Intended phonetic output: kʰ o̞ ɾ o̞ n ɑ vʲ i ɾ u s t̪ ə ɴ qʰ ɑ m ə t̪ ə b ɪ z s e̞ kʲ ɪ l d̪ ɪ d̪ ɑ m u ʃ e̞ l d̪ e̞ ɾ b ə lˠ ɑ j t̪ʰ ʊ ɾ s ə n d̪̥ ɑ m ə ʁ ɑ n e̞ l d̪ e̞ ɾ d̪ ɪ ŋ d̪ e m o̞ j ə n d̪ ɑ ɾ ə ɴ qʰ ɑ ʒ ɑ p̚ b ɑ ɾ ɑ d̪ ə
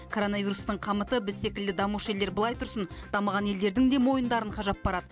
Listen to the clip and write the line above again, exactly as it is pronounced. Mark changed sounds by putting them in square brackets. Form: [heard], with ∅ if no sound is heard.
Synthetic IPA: kʰ o̞ ɾ o̞ n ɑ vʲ i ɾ u s t̪ ə ɴ qʰ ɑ m ə t̪ ə b ɪ z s e̞ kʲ ɪ l d̪ ɪ d̪ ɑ m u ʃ e̞ l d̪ e̞ ɾ b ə lˠ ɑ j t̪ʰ ʊ ɾ s ə n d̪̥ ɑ m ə ʁ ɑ n e̞ l d̪ e̞ ɾ d̪ ɪ ŋ d̪ e m o̞ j ə n d̪ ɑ ɾ ə ɴ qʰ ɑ ʒ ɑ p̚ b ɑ ɾ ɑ d̪ ə